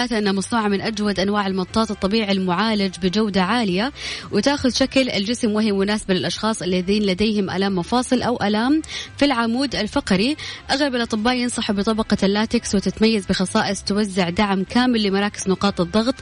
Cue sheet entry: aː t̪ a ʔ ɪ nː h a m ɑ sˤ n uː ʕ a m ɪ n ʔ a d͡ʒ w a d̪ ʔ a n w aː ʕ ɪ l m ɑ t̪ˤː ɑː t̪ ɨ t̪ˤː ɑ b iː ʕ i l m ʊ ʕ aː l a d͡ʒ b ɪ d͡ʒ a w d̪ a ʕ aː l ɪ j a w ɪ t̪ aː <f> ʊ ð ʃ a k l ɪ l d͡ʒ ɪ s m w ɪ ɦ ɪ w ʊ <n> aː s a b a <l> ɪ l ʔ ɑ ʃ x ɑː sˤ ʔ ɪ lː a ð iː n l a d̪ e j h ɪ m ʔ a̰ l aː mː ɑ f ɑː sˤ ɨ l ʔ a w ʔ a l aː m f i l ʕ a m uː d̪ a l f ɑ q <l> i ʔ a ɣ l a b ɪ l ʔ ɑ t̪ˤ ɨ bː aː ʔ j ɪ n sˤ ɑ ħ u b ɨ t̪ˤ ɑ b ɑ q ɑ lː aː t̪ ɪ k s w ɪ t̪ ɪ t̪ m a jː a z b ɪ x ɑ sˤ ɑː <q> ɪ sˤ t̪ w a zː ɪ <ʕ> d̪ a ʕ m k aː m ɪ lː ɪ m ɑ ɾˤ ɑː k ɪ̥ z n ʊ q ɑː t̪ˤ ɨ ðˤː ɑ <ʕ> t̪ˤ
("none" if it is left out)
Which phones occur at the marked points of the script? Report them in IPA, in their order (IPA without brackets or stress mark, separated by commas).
x, n, l, ɾ, ʔ, ʕ, ɣ